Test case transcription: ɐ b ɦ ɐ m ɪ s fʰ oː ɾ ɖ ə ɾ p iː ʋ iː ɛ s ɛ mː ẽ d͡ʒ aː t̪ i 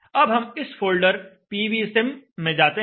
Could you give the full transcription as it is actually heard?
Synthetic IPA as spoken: ɐ b ɦ ɐ m ɪ s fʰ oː l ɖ ə ɾ p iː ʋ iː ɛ s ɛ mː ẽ d͡ʒ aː t̪ e